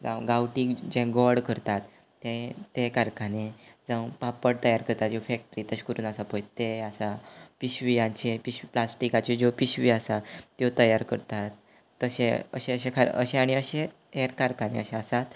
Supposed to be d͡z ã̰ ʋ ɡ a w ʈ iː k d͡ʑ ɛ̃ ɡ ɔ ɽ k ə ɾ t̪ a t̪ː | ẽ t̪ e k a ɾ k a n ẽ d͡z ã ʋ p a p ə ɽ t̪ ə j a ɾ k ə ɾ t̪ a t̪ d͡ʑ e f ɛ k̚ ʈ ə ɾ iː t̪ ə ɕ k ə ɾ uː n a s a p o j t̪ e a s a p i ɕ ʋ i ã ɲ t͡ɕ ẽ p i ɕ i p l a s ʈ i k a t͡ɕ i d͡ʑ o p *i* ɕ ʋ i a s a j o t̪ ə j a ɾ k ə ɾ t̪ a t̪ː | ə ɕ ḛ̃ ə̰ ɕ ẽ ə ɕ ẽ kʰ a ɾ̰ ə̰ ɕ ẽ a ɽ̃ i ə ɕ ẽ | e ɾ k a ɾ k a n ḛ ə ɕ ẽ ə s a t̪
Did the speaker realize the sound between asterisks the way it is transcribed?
yes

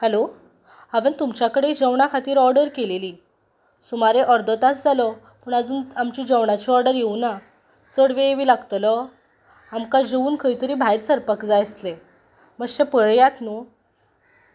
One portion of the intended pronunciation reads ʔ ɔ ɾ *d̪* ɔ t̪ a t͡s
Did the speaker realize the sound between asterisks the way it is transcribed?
yes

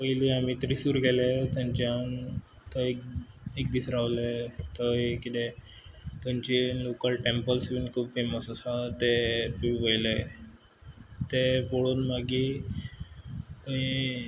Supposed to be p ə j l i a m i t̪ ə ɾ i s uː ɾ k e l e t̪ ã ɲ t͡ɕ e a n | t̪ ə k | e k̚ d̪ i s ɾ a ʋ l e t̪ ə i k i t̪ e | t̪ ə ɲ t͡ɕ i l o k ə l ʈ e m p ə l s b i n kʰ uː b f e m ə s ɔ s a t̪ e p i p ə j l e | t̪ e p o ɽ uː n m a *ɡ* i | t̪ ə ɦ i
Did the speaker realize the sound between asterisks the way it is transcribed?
yes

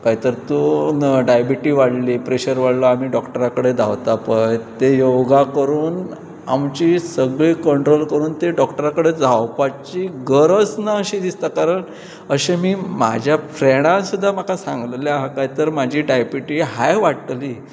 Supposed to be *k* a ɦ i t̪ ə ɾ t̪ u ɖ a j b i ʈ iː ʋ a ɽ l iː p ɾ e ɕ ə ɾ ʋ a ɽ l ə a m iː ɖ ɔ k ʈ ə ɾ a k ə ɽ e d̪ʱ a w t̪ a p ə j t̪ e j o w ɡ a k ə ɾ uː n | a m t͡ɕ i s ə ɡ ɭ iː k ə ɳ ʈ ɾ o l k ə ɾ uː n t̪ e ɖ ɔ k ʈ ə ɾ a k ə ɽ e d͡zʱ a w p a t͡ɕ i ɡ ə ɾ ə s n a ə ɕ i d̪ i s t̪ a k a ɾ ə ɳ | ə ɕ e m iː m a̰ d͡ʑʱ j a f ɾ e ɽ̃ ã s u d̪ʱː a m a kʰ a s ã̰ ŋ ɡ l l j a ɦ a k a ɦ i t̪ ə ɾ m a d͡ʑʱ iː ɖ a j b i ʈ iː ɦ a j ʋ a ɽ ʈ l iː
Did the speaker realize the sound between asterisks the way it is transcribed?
yes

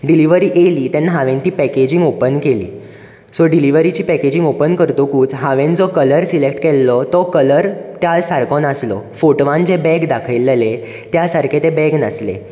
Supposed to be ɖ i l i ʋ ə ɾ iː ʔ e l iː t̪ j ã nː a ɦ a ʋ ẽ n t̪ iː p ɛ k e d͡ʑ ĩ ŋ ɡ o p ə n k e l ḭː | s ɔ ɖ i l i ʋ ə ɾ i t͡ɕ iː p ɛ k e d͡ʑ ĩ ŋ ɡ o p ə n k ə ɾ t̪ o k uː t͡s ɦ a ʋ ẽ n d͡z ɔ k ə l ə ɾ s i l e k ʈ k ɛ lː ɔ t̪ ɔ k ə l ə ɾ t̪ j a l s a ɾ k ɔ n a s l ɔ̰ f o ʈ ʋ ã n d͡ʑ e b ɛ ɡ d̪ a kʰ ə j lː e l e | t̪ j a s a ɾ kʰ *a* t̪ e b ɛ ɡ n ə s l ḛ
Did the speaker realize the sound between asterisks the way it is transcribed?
no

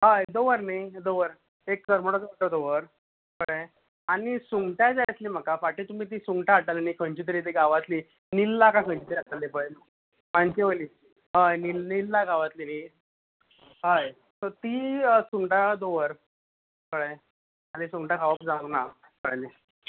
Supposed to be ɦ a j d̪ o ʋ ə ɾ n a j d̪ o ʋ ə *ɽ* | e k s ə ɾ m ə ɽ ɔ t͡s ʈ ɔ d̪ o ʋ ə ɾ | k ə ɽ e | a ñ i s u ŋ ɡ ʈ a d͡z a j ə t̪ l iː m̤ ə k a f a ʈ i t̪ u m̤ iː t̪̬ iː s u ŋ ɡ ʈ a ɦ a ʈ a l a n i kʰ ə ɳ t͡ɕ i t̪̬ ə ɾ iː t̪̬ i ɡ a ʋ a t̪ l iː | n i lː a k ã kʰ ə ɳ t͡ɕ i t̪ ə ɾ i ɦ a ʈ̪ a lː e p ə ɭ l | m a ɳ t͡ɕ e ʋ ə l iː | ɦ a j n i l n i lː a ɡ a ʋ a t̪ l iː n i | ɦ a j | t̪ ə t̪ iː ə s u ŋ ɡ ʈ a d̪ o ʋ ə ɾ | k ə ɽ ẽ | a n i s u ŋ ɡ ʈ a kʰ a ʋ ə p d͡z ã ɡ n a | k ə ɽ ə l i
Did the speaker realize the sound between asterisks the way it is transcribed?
no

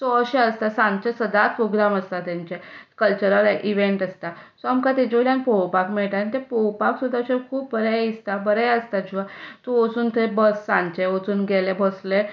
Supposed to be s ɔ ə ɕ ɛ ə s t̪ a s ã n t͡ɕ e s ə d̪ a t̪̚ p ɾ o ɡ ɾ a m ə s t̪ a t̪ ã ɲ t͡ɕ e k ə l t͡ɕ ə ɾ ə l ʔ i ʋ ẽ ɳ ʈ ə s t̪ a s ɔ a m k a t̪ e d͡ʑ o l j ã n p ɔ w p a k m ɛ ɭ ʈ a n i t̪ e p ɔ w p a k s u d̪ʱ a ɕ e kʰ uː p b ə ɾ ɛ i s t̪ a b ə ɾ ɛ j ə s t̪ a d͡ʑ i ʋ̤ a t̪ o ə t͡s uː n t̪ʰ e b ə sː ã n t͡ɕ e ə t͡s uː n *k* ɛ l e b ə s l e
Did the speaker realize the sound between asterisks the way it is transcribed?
no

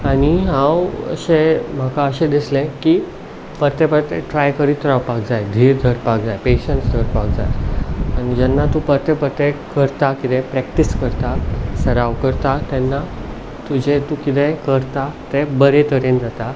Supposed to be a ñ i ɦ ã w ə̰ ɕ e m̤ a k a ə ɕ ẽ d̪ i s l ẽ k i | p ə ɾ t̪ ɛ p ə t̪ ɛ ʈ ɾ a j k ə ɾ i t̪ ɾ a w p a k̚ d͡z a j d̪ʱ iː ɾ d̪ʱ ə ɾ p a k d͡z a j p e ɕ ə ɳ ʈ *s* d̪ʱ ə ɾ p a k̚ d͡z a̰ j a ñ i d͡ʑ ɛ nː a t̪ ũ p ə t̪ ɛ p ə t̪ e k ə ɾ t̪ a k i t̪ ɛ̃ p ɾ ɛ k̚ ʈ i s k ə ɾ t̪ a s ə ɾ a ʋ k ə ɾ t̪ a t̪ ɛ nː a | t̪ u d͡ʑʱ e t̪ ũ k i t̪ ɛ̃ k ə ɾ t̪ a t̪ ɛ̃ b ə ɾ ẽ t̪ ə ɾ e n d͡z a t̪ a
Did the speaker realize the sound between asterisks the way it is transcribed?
yes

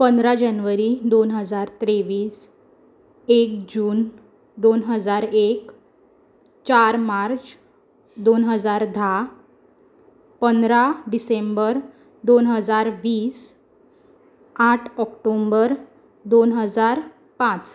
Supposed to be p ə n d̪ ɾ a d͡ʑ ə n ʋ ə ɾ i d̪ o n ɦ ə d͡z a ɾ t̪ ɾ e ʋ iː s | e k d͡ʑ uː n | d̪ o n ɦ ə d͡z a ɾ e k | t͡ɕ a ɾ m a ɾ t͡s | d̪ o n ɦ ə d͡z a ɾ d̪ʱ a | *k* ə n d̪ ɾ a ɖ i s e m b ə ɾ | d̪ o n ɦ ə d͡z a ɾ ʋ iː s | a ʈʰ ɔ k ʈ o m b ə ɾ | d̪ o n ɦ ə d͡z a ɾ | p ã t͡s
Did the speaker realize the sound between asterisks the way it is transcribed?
no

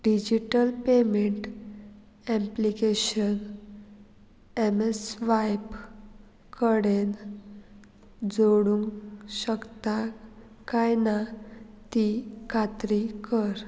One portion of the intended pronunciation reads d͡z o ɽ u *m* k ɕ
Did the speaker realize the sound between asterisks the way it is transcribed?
no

